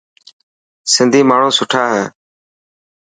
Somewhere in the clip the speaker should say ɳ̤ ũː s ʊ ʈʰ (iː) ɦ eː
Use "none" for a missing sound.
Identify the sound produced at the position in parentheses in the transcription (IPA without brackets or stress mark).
aː